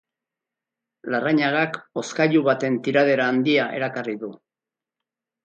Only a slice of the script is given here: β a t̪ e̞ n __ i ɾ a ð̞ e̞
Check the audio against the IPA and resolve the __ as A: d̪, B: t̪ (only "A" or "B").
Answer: B